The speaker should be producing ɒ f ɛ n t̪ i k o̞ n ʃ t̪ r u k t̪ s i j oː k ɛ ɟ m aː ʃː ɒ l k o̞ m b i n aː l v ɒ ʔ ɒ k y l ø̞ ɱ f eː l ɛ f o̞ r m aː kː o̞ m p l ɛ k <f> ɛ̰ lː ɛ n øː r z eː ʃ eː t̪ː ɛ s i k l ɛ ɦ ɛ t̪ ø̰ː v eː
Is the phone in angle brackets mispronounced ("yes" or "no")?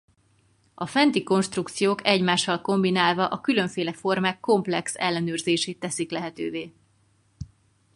yes